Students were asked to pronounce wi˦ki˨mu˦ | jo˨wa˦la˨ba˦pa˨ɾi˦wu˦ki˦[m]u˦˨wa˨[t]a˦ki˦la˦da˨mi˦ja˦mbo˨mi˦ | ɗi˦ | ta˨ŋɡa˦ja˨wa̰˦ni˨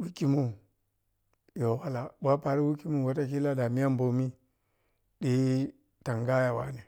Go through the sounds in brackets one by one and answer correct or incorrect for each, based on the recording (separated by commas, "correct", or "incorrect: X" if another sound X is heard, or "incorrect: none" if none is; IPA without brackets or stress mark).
correct, correct